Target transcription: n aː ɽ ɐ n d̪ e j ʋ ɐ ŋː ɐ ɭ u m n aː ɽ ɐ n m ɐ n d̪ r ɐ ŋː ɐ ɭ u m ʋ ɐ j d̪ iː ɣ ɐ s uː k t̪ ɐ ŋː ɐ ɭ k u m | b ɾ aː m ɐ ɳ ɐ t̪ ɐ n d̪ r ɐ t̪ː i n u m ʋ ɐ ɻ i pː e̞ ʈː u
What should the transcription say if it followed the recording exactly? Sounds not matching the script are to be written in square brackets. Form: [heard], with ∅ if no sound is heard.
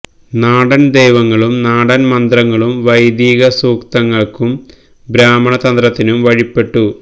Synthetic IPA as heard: n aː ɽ ɐ n d̪ e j ʋ ɐ ŋː ɐ ɭ u m n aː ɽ ɐ n m ɐ n d̪ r ɐ ŋː ɐ ɭ u m ʋ ɐ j d̪ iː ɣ ɐ s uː k t̪ ɐ ŋː ɐ ɭ k u m | b ɾ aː m ɐ ɳ ɐ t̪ ɐ n d̪ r ɐ t̪ː i n u m ʋ ɐ ɻ i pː e̞ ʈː u